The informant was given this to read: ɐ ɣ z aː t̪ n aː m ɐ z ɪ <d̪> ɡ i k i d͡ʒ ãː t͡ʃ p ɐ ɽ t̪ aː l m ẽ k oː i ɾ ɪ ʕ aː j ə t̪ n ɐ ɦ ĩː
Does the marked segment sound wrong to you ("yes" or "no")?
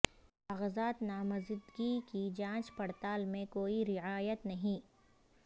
no